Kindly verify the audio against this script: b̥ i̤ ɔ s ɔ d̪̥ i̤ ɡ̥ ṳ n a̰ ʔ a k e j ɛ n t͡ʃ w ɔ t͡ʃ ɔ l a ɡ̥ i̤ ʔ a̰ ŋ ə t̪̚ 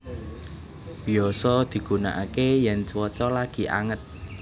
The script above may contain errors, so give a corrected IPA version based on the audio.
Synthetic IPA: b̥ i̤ ɔ s ɔ d̪̥ i̤ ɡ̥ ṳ n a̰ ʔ a k e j ɛ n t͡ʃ w ɔ t͡ʃ ɔ l a ɡ̥ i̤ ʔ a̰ ŋ ə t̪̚